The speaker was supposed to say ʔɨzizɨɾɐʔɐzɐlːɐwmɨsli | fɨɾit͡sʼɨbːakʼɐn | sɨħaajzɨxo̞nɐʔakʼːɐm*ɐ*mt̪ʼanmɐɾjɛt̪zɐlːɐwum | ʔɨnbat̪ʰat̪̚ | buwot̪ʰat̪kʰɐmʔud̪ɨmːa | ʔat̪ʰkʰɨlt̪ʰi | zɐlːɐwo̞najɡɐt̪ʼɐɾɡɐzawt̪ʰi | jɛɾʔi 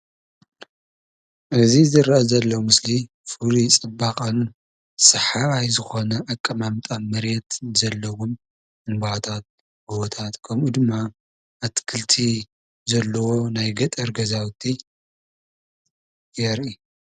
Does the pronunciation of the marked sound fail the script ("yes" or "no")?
yes